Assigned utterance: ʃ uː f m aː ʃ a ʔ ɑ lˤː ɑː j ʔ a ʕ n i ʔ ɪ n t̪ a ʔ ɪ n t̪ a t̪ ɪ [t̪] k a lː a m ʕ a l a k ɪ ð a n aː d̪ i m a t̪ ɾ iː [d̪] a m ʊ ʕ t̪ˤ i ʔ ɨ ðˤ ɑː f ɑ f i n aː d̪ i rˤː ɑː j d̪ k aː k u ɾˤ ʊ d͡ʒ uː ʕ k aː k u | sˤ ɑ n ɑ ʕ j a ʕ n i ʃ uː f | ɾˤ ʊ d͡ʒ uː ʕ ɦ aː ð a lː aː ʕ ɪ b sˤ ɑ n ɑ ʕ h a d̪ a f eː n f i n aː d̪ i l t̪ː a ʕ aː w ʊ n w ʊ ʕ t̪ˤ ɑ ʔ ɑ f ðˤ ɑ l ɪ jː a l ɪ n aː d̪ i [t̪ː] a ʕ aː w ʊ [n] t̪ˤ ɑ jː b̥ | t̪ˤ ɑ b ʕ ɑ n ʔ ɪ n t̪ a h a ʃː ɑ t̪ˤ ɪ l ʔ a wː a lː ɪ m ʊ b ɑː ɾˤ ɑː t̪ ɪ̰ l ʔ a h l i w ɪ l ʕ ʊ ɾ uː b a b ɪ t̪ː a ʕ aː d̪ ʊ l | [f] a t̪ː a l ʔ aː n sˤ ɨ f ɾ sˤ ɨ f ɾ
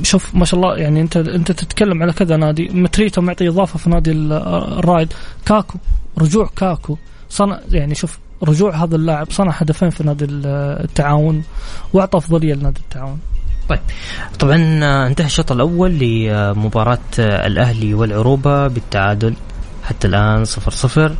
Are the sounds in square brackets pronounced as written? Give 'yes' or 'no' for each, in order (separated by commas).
yes, no, yes, yes, no